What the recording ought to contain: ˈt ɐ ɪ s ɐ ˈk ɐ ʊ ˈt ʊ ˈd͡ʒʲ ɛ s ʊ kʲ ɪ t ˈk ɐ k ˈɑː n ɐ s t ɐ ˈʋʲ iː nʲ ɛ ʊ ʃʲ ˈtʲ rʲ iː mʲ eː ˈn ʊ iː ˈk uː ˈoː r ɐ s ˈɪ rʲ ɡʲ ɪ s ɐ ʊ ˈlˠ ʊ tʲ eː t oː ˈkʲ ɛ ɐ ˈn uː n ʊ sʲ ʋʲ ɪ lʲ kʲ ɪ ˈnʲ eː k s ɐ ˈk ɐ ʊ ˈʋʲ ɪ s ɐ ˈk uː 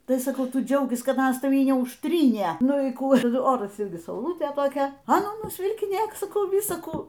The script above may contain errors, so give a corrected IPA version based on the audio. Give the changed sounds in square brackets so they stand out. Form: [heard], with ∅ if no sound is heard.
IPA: ˈt ɐ ɪ s ɐ ˈk ɐ ʊ ˈt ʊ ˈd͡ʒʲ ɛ [∅] ʊ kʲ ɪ [s] ˈk ɐ [t] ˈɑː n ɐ s t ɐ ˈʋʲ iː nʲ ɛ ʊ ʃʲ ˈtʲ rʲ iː [nʲ] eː ˈn ʊ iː ˈk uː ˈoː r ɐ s ˈɪ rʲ ɡʲ ɪ s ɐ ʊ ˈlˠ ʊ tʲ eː t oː ˈkʲ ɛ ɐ ˈn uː n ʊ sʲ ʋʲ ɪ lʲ kʲ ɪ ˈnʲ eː k s ɐ ˈk ɐ ʊ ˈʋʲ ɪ s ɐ ˈk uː